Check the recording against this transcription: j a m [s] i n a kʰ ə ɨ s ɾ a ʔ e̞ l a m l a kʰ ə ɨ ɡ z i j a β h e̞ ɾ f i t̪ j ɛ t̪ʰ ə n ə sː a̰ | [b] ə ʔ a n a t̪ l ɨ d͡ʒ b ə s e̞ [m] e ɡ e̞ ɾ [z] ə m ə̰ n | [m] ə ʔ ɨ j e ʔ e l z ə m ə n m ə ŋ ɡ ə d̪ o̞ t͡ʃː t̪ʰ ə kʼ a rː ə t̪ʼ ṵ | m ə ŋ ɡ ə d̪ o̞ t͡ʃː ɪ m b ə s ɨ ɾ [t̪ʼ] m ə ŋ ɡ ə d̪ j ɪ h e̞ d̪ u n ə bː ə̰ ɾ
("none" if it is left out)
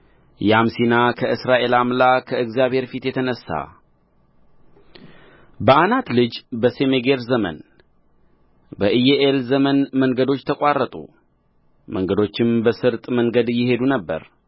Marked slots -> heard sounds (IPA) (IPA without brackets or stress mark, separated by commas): s, b, m, z, b, t̪ʼ